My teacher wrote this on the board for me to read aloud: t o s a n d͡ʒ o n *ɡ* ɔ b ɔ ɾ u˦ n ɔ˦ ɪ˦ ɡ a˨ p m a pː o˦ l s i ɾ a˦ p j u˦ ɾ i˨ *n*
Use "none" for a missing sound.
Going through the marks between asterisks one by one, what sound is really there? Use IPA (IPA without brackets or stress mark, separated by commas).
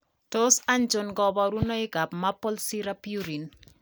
ɡ, n